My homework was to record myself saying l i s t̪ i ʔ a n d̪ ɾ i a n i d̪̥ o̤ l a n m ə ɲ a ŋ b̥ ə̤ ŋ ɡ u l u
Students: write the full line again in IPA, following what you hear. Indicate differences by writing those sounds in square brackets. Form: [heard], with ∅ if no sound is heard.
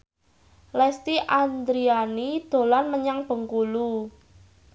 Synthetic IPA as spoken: l [ɛ] s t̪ i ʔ a n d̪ ɾ i a n i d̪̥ o̤ l a n m ə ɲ a ŋ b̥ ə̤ ŋ [k] u l u